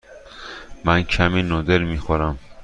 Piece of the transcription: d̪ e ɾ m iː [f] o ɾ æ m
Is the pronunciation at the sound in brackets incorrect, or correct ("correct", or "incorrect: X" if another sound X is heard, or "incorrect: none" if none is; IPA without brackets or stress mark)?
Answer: incorrect: x